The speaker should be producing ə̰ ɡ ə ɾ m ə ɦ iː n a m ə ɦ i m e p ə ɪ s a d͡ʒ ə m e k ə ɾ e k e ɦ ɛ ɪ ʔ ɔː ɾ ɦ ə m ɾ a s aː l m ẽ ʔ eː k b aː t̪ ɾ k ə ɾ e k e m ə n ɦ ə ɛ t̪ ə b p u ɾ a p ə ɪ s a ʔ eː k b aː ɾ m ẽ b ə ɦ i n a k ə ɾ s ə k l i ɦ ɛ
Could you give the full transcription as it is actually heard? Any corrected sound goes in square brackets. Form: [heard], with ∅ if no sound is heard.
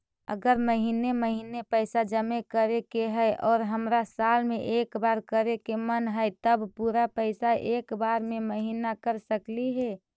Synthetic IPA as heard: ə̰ ɡ ə ɾ m ə ɦ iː n [e] m ə ɦ i [n] e p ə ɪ s a d͡ʒ ə m e k ə ɾ e k e ɦ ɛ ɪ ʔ ɔː ɾ ɦ ə m ɾ a s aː l m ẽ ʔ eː k b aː [∅] ɾ k ə ɾ e k e m ə n ɦ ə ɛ t̪ ə b p u ɾ a p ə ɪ s a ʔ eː k b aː ɾ m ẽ [m] ə ɦ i n a k ə ɾ s ə k l i ɦ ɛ